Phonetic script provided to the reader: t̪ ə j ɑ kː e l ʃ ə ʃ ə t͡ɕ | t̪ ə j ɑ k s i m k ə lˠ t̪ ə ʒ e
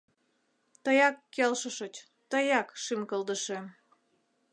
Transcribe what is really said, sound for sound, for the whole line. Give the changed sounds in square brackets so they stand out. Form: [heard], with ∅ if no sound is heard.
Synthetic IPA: t̪ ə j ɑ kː e l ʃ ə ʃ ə t͡ɕ | t̪ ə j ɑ k [ʃ] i m k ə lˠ [d̪] ə [ʃ] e